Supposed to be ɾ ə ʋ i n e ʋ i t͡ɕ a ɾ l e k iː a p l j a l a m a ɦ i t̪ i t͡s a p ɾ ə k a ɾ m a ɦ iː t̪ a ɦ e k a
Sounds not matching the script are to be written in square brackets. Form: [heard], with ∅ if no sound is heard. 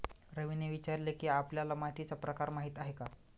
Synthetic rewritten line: ɾ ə ʋ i n e ʋ i t͡ɕ a ɾ l e k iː a p l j a l a m a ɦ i t̪ i t͡s a p ɾ ə k a ɾ m a ɦ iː t̪ a ɦ e k a